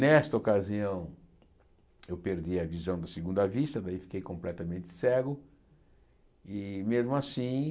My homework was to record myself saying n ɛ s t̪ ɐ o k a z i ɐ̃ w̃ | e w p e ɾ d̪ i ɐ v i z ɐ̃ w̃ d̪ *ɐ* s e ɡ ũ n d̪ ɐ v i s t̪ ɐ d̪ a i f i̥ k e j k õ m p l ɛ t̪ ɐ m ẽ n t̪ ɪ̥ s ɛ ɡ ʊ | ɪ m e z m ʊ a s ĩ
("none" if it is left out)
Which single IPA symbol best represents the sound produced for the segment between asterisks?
ɐ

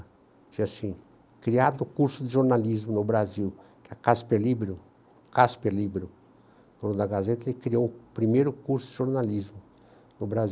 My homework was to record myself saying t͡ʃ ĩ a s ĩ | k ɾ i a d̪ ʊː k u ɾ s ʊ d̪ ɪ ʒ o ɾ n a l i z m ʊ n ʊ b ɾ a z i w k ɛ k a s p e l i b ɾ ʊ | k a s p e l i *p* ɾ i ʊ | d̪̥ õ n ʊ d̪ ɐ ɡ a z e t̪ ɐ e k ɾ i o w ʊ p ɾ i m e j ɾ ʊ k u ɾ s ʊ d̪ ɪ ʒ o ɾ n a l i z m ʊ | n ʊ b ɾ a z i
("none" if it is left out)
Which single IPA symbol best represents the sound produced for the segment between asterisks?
b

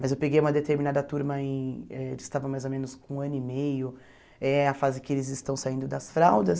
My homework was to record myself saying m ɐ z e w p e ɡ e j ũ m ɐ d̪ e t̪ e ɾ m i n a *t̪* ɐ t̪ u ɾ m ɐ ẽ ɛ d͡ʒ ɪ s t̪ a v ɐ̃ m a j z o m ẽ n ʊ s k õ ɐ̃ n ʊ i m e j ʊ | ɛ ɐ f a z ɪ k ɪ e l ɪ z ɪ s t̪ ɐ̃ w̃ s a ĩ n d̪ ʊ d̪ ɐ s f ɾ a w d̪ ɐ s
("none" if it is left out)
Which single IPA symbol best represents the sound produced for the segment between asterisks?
d̪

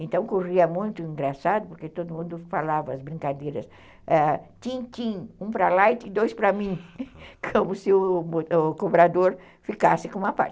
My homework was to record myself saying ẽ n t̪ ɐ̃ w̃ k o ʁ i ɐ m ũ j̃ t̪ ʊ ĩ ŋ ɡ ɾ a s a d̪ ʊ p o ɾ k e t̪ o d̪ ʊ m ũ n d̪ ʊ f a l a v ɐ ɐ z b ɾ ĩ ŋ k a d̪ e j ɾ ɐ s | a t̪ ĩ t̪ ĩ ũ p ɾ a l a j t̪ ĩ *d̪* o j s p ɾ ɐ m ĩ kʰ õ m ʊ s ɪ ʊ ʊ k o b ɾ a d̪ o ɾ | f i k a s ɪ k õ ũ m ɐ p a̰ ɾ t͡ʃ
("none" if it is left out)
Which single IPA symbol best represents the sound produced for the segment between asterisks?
d̪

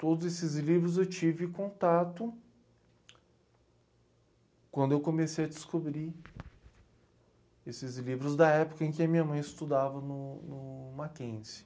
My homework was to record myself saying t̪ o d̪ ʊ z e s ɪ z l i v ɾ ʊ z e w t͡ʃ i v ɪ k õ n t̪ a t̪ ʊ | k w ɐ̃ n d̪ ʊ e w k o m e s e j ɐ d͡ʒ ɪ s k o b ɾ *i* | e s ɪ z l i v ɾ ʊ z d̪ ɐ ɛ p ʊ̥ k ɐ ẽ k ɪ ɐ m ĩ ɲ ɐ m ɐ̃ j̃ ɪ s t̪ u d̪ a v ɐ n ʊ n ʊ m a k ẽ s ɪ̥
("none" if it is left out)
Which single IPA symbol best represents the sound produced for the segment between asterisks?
i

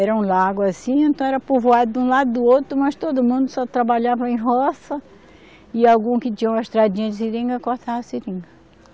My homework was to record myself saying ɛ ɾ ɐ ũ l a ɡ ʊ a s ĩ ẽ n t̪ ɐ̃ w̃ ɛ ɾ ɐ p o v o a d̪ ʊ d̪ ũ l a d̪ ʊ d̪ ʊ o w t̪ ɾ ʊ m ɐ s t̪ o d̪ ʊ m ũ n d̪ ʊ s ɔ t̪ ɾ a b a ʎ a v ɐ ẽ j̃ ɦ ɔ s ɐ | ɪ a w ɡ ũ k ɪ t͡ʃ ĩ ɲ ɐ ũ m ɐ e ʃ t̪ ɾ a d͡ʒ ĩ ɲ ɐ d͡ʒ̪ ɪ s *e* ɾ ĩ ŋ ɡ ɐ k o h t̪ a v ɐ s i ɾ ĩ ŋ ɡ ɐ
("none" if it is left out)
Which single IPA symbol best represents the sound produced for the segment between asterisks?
i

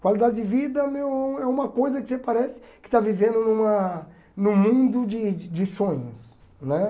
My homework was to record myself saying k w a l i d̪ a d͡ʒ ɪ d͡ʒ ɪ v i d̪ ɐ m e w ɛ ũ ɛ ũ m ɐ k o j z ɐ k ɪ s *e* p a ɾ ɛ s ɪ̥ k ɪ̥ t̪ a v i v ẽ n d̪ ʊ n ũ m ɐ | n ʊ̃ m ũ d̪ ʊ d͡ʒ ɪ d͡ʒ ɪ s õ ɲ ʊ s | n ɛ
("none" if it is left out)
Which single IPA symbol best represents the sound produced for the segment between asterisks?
e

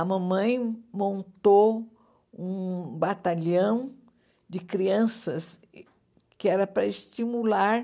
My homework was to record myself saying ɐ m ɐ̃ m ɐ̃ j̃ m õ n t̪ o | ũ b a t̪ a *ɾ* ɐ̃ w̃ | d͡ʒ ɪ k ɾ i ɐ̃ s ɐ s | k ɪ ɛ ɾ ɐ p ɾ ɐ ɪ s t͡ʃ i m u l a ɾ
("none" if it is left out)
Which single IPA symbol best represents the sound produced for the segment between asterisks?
ʎ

